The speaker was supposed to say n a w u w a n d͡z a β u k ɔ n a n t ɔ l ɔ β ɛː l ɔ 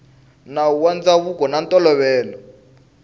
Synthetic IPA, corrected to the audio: n a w u w a n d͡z a β u k ɔ n a n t ɔ l ɔ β ɛː l ɔ